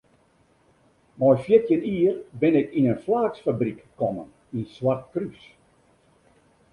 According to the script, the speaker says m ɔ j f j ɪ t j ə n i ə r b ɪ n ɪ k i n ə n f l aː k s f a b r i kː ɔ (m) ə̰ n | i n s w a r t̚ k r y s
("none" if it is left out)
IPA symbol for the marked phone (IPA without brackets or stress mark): m